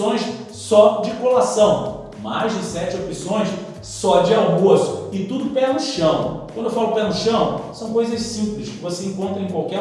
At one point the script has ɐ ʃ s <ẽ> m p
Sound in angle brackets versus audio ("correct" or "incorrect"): incorrect